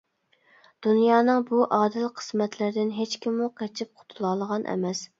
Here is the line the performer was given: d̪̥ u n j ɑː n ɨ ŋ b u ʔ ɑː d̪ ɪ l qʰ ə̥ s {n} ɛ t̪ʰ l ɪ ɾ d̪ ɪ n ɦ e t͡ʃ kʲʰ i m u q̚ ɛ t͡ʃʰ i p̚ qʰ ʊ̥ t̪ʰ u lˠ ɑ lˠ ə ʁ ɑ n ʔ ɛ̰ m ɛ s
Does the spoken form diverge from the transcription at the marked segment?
yes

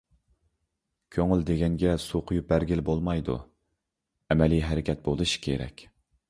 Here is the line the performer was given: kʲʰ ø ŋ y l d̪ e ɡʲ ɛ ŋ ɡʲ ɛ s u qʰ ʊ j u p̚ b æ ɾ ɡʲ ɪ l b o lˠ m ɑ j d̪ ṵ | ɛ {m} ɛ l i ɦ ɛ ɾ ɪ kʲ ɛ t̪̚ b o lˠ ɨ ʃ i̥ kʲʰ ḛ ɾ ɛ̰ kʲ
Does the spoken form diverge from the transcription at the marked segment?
no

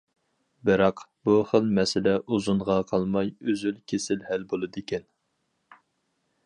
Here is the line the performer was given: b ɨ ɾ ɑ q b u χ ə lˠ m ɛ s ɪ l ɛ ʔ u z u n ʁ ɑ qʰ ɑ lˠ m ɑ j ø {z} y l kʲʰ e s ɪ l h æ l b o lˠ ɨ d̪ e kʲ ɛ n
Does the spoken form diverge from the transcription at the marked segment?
no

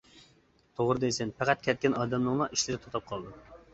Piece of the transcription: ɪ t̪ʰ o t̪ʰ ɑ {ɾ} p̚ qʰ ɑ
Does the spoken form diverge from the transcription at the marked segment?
yes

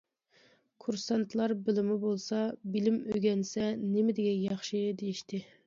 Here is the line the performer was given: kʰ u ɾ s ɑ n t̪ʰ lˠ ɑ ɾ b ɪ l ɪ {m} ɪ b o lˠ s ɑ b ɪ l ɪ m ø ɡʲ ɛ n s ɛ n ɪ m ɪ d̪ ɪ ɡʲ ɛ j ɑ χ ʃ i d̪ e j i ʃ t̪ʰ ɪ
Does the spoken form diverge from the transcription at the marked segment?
no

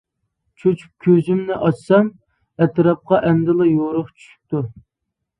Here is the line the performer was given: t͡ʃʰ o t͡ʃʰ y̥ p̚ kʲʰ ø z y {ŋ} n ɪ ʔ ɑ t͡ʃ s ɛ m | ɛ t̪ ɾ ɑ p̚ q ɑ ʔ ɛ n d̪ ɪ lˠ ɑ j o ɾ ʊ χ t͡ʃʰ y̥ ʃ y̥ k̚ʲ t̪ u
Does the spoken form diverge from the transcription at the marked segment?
yes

